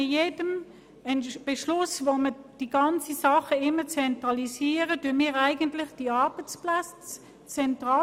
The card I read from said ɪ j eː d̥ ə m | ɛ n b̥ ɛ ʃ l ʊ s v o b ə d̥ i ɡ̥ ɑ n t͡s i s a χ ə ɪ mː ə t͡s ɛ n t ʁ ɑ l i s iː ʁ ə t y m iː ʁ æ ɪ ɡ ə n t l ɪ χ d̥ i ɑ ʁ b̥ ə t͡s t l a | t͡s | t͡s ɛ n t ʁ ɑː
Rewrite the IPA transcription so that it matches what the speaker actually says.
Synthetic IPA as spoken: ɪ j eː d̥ ə m | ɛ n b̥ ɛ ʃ l ʊ s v o m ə d̥ i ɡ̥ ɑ n t͡s i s ɑ χ ə ɪ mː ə t͡s ɛ n t ʁ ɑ l i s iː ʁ ə t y m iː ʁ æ ɪ ɡ ə n t l ɪ χ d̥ i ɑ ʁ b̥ ə t͡s p l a | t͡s | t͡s ɛ n t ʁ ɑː